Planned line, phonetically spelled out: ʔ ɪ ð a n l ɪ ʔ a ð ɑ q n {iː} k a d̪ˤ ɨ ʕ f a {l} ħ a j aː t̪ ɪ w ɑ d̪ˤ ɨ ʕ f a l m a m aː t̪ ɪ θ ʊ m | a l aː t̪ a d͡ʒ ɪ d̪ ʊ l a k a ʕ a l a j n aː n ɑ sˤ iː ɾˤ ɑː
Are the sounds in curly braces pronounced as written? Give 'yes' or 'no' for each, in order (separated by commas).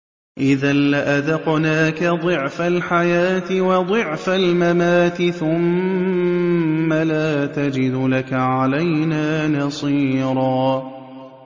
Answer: no, yes